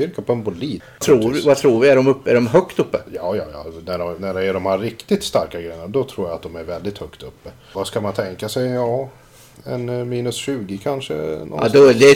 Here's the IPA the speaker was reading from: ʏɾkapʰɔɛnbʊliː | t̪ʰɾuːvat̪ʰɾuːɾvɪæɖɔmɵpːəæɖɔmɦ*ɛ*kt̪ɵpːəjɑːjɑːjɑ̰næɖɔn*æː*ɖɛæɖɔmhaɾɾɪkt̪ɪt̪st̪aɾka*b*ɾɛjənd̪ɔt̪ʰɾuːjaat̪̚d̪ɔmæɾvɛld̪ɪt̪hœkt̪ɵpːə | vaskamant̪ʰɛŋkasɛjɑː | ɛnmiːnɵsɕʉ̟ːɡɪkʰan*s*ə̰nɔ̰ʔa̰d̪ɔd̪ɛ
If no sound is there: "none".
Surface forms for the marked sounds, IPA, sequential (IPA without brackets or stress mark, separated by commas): œ, æ, ɡ, ʂ